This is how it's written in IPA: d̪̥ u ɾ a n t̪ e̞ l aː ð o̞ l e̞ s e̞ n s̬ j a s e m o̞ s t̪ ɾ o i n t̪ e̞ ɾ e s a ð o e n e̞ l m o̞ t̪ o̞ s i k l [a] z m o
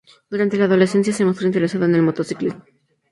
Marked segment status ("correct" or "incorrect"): incorrect